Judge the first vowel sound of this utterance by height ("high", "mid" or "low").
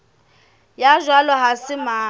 low